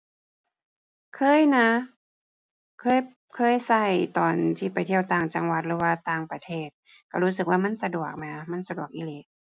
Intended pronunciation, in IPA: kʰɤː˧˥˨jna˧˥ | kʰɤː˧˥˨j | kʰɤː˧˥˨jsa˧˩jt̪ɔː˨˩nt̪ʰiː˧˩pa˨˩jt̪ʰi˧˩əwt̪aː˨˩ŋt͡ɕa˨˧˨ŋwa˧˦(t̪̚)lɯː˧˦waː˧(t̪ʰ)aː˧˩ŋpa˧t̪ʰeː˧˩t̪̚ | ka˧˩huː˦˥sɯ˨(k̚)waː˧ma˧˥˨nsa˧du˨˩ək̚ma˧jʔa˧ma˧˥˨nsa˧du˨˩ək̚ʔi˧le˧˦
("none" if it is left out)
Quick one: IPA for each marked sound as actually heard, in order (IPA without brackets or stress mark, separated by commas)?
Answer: t̪̚, t̪, k̚